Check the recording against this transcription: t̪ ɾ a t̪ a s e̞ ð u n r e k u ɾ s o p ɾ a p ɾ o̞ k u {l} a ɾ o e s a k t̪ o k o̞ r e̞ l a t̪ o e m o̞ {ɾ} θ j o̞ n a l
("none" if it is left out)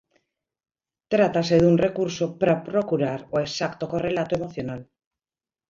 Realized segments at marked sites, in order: ɾ, none

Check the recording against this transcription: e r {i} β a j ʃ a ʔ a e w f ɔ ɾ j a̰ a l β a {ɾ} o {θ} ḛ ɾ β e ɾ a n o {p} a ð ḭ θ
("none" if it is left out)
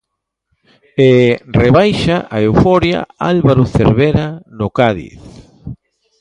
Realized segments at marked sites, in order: e, ɾ, θ, k

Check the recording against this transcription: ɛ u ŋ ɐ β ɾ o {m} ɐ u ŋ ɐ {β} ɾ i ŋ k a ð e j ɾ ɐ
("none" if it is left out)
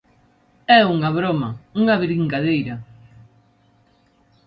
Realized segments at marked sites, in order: m, β

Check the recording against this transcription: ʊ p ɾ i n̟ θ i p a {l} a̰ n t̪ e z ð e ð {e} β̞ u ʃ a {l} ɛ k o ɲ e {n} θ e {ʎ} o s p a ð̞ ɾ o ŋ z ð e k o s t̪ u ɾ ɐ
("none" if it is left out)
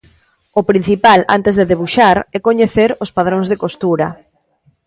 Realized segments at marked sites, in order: l, e, ɾ, none, ɾ

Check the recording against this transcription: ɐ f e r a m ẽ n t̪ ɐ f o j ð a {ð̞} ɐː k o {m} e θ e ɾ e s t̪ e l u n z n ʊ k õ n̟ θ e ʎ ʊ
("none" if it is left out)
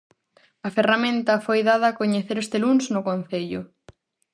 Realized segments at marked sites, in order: ð̞, ɲ

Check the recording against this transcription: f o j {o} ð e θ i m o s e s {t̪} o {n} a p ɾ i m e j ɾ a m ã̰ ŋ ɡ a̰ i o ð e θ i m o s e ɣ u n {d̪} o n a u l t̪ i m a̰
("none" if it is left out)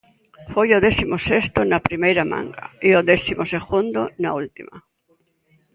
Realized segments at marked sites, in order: o, t̪, n, d̪

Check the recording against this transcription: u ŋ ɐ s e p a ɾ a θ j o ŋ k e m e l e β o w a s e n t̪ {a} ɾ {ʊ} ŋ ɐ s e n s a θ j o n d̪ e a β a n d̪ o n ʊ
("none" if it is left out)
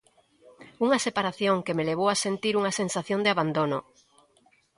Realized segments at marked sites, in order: i, u

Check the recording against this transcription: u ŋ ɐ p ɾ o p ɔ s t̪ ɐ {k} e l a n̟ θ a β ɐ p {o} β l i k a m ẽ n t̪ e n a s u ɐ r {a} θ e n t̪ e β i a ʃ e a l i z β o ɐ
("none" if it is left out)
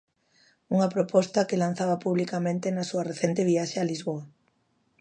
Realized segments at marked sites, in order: k, u, e

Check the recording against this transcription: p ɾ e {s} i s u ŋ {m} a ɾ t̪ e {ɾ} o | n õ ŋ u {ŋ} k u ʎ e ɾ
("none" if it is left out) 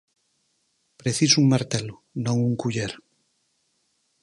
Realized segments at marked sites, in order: θ, m, l, ŋ

